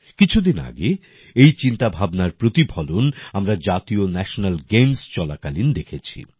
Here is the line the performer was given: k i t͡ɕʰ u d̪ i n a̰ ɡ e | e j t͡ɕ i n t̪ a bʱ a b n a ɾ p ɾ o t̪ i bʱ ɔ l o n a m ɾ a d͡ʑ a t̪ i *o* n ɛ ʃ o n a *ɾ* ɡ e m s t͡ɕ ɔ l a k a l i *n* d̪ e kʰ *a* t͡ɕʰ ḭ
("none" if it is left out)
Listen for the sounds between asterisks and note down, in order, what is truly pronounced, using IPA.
o, l, n, e

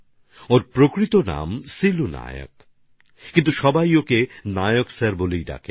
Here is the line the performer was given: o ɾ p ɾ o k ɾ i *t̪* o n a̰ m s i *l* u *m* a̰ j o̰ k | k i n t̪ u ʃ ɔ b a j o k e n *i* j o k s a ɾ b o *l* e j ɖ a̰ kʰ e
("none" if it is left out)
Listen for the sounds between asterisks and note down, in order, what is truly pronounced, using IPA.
t̪, l, n, a, l

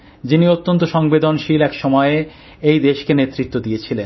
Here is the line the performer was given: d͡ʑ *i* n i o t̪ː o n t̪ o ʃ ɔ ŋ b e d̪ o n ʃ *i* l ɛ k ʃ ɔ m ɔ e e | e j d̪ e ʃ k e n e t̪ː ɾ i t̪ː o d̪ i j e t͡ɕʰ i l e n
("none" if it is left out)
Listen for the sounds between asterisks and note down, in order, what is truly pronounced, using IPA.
i, i

